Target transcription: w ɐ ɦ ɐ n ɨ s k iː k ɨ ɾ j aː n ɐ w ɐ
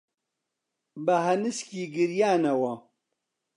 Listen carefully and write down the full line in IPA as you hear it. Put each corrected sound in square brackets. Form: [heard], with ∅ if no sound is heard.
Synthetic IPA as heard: [b] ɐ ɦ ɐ n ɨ s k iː [ɡ] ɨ ɾ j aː n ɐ w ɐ